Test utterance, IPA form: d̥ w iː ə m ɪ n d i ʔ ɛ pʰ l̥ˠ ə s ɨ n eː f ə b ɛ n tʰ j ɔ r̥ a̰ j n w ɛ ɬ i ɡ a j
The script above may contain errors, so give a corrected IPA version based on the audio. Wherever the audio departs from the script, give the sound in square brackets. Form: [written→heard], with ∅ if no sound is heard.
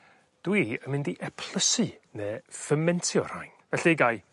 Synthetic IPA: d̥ w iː ə m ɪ n d i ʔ ɛ pʰ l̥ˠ ə s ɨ n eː f ə [b→m] ɛ n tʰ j ɔ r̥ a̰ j n [w→v] ɛ ɬ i ɡ a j